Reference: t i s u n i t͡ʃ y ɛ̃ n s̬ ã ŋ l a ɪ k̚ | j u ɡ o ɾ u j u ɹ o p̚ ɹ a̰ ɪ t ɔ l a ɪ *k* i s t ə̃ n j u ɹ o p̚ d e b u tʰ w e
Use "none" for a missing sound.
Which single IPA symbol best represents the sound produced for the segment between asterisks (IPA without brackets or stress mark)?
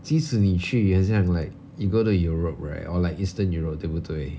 k